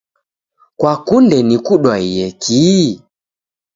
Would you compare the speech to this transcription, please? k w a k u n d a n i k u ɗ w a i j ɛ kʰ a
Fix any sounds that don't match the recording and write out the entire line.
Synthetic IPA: k w a k u n d ɛ n i k u ɗ w a i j ɛ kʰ i